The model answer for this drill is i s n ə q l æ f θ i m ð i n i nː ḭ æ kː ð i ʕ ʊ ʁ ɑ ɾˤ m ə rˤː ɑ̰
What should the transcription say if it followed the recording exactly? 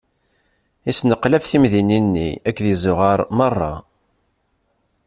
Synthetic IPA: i s n ə q l æ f θ i m ð i n i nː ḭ æ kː ð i z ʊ ʁ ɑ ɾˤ m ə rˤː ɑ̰